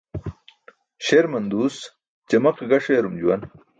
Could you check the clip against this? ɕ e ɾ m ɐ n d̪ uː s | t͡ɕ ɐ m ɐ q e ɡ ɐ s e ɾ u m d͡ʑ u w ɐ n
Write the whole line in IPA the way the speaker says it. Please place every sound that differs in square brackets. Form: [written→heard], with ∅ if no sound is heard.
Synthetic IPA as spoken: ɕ e ɾ m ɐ n d̪ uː s | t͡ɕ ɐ m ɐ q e ɡ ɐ [s→ʂ] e ɾ u m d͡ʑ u w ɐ n